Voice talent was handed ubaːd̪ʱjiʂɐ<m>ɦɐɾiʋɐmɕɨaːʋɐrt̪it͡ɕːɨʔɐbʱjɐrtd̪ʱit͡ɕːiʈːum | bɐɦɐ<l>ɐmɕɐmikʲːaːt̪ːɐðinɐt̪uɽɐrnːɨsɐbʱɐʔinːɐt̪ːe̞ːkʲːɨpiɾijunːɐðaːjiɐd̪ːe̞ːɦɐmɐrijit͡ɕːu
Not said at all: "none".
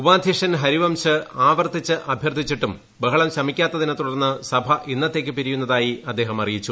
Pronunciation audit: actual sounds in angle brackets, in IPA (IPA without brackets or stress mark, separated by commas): n, ɭ